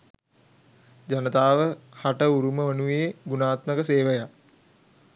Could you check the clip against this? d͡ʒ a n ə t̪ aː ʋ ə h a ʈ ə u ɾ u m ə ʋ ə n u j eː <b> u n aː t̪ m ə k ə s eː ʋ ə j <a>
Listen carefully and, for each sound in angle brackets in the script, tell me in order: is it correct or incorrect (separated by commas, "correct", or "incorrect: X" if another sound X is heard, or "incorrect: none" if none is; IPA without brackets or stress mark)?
incorrect: ɡ, correct